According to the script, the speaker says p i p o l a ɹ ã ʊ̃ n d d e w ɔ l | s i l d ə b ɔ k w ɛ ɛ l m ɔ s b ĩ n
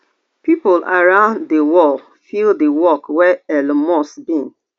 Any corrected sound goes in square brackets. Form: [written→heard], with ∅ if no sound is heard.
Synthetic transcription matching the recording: p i p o l a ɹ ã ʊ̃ n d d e w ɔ l | [s→f] i l d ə [b→w] ɔ k w ɛ ɛ l m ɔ s b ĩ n